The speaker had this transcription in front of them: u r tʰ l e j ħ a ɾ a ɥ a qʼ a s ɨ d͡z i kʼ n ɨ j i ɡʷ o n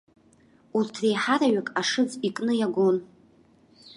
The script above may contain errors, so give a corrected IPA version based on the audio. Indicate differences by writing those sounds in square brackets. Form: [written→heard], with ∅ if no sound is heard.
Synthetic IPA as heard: u r tʰ [l→r] e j ħ a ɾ a ɥ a [qʼ→kʼ] a [s→ʂ] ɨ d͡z i kʼ n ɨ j [i→a] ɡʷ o n